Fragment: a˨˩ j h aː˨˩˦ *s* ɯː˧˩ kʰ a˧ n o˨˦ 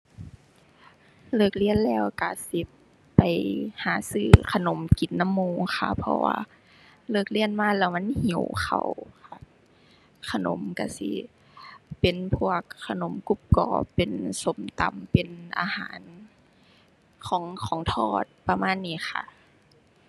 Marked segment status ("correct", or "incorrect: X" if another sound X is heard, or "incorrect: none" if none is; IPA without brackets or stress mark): correct